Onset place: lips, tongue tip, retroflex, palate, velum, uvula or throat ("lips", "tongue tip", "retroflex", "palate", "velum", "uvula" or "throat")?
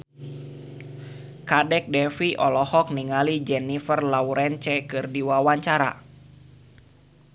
velum